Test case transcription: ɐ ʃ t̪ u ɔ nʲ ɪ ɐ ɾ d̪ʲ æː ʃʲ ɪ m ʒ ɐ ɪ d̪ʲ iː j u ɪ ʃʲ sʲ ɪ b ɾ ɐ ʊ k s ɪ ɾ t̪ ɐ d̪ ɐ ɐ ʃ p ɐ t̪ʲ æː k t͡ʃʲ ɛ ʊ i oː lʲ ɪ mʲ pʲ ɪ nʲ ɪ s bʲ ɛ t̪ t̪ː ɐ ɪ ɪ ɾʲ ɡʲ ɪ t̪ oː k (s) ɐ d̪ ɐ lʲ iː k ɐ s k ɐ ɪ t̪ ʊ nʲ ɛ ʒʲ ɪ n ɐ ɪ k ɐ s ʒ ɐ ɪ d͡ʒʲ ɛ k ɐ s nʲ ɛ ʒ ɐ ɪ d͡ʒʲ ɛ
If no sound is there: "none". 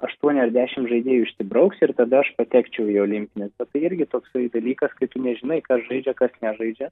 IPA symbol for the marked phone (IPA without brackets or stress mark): s